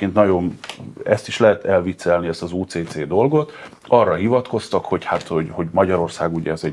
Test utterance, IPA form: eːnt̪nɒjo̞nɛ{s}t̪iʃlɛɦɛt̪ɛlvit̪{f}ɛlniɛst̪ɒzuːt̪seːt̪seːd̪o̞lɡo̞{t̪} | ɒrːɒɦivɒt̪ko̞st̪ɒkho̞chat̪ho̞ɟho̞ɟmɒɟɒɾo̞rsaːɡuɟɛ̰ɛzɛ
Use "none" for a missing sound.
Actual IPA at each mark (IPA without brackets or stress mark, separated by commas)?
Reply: s, s, t̪